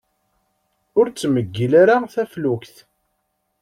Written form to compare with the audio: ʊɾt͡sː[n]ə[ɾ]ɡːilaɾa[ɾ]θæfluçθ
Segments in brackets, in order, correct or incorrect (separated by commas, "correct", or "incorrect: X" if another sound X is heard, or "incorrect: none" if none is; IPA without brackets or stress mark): incorrect: m, incorrect: none, incorrect: none